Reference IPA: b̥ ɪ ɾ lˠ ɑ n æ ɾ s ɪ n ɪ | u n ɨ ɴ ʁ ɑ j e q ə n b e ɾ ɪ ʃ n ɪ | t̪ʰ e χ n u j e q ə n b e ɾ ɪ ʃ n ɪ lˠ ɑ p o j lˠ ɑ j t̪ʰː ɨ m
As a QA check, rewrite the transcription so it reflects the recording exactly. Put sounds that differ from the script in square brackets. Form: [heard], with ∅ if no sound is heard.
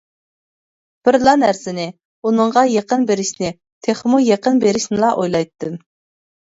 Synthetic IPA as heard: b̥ ɪ ɾ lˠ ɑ n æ ɾ s ɪ n ɪ | u n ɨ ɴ ʁ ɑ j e q ə n b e ɾ ɪ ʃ n ɪ | t̪ʰ e χ [m] u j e q ə n b e ɾ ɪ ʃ n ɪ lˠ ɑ [ʔ] o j lˠ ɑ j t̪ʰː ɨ m